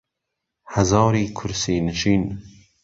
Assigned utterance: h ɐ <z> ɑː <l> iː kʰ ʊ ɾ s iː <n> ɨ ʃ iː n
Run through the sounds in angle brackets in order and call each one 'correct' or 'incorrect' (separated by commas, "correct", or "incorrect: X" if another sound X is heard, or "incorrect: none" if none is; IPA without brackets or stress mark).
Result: correct, incorrect: ɾ, correct